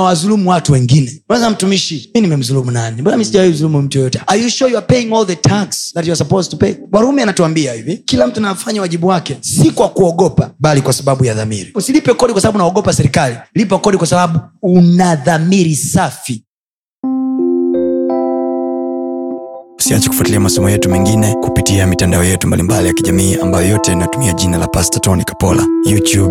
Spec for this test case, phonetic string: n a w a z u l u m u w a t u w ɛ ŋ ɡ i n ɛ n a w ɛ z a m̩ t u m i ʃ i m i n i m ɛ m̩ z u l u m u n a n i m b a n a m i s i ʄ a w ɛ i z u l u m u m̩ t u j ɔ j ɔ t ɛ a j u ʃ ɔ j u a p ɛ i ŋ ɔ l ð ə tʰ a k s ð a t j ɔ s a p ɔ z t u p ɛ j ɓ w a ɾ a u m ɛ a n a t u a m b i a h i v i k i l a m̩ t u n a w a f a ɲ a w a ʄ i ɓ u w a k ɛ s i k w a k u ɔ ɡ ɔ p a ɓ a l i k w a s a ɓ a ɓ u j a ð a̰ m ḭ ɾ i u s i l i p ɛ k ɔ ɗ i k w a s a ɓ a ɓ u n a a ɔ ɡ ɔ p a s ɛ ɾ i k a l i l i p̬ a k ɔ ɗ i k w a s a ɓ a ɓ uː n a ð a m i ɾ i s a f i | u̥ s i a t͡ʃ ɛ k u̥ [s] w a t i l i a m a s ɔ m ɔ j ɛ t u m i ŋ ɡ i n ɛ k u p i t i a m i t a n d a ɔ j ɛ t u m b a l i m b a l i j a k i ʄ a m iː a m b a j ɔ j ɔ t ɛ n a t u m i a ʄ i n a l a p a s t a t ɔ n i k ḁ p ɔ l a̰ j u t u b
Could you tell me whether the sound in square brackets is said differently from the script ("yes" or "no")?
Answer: yes